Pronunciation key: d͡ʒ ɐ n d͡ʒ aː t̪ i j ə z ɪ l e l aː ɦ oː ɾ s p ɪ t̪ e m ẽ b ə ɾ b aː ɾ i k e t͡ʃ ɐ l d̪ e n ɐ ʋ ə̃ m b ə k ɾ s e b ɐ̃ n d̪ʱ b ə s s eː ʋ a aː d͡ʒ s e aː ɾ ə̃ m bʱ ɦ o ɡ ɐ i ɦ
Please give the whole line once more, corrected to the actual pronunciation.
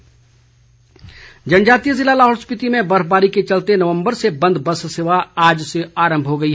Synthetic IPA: d͡ʒ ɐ n d͡ʒ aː t̪ i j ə z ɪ l a l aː ɦ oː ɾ s p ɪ t̪ i m ẽ b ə ɾ b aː ɾ i k e t͡ʃ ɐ l t̪ e n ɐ ʋ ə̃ m b ə ɾ s e b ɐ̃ n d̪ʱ b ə s s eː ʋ a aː d͡ʒ s e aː ɾ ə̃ m bʱ ɦ o ɡ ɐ i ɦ

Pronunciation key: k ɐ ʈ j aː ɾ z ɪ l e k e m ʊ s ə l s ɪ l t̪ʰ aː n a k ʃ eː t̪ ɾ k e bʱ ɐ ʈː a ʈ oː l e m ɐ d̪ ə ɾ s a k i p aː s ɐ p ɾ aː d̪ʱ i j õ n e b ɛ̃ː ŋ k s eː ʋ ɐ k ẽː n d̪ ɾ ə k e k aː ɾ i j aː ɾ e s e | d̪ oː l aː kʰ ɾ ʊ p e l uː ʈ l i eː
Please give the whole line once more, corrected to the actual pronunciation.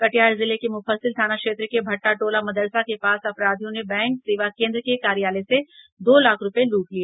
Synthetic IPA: k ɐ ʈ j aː ɾ z ɪ l e k e m ʊ f ə l s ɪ l t̪ʰ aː n a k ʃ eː t̪ ɾ k e bʱ ɐ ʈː a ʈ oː l a m ɐ d̪ ə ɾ s a k e p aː s ɐ p ɾ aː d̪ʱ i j õ n e b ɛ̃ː ŋ k s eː ʋ a k ẽː n d̪ ɾ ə k e k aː ɾ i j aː l e s e | d̪ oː l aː kʰ ɾ ʊ p e l uː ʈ l i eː

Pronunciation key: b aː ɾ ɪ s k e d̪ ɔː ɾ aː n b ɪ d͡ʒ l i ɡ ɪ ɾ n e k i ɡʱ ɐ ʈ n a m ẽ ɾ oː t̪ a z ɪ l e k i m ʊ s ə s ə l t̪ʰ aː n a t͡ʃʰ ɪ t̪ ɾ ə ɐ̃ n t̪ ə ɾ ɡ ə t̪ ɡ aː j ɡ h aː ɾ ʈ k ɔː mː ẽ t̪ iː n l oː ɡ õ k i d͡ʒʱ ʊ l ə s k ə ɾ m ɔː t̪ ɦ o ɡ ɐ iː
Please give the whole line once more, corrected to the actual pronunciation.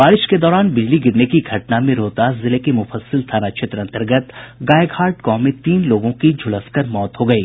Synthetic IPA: b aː ɾ ɪ ʃ k e d̪ ɔː ɾ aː n b ɪ d͡ʒ l i ɡ ɪ ɾ n e k i ɡʱ ɐ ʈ n a m ẽ ɾ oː t̪ a z ɪ l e k i m ʊ f ə s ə l t̪ʰ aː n a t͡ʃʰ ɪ t̪ ɾ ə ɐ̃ n t̪ ə ɾ ɡ ə t̪ ɡ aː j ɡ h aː ɾ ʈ k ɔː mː ẽ t̪ iː n l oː ɡ õ k i d͡ʒʱ ʊ l ə s k ə ɾ m ɔː t̪ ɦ o ɡ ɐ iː

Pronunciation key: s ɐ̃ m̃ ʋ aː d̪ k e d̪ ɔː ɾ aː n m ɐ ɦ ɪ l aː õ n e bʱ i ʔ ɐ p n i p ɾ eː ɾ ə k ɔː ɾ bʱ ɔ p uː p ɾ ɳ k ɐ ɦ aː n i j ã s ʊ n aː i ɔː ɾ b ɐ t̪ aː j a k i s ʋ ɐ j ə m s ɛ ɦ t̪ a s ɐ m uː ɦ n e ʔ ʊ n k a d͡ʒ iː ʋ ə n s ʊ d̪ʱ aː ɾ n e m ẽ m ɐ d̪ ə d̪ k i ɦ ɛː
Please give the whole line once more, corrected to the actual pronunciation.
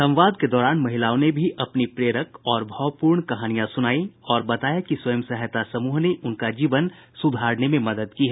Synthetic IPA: s ɐ̃ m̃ ʋ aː d̪ k e d̪ ɔː ɾ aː n m ɐ ɦ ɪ l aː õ n e bʱ i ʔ ɐ p n i p ɾ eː ɾ ə k ɔː ɾ bʱ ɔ p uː ɾ ɳ k ɐ ɦ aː n i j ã s ʊ n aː i ɔː ɾ b ɐ t̪ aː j a k i s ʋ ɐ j ə m s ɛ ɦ t̪ a s ɐ m uː ɦ n e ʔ ʊ n k a d͡ʒ iː ʋ ə n s ʊ d̪ʱ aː ɾ n e m ẽ m ɐ d̪ ə d̪ k i ɦ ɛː

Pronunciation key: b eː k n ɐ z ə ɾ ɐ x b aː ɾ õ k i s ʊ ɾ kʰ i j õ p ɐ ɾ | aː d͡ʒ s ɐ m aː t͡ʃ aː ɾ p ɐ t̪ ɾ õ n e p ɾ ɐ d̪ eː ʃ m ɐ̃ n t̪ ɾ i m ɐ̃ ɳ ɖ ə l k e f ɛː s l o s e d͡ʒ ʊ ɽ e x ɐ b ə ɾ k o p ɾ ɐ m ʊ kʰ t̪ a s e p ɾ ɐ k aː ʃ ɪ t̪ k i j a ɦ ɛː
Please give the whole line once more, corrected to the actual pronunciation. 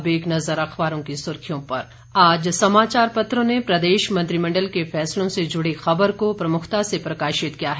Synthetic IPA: b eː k n ɐ z ə ɾ ɐ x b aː ɾ õ k i s ʊ ɾ kʰ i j õ p ɐ ɾ | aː d͡ʒ s ɐ m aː t͡ʃ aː ɾ p ɐ t̪ ɾ õ n e p ɾ ɐ d̪ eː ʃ m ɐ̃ n t̪ ɾ i m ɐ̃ ɳ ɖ ə l k e f ɛː s l õ s e d͡ʒ ʊ ɽ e x ɐ b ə ɾ k o p ɾ ɐ m ʊ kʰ t̪ a s e p ɾ ɐ k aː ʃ ɪ t̪ k i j a ɦ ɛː

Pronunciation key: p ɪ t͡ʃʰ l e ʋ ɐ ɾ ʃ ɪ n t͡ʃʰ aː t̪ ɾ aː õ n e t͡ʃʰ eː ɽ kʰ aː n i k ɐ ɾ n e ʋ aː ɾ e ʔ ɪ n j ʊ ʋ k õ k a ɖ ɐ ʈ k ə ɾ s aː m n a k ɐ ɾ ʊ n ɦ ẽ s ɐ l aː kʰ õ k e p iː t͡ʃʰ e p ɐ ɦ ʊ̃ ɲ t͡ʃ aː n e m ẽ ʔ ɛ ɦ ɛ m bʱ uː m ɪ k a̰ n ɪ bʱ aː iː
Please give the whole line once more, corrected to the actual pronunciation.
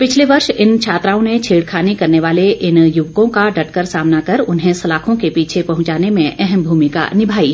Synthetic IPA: p ɪ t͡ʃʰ l e ʋ ɐ ɾ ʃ ɪ n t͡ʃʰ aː t̪ ɾ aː õ n e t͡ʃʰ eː ɽ kʰ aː n i k ɐ ɾ n e ʋ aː l e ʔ ɪ n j ʊ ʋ k õ k a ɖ ɐ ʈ k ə ɾ s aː m n a k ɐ ɾ ʊ n ɦ ẽ s ɐ l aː kʰ õ k e p iː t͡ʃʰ e p ɐ ɦ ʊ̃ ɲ t͡ʃ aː n e m ẽ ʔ ɛ ɦ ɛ m bʱ uː m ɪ k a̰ n ɪ bʱ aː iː

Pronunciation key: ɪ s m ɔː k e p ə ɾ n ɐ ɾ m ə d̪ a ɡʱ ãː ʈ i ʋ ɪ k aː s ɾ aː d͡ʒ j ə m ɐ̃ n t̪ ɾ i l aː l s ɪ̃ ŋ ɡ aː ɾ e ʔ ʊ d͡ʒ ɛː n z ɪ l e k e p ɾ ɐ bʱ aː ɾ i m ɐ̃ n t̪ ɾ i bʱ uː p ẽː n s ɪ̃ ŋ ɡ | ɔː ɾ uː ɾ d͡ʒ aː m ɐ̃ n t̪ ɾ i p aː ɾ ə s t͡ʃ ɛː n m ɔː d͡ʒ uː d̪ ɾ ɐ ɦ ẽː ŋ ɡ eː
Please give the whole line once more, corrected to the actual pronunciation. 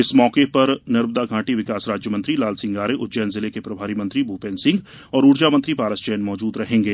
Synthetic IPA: ɪ s m ɔː k e p ɐ ɾ n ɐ ɾ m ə d̪ a ɡʱ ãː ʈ i ʋ ɪ k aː s ɾ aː d͡ʒ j ə m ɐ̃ n t̪ ɾ i l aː l s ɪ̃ ŋ ɡ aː ɾ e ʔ ʊ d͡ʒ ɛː n z ɪ l e k e p ɾ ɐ bʱ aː ɾ i m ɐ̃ n t̪ ɾ i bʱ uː p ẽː n s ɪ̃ ŋ ɡ | ɔː ɾ uː ɾ d͡ʒ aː m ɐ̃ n t̪ ɾ i p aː ɾ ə s t͡ʃ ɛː n m ɔː d͡ʒ uː d̪ ɾ ɐ ɦ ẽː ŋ ɡ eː

